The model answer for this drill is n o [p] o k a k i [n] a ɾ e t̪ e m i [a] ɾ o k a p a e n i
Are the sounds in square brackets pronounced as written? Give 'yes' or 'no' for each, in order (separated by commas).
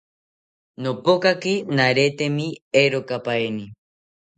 yes, yes, no